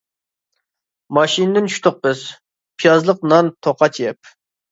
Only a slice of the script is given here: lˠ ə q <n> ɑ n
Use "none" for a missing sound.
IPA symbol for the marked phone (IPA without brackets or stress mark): n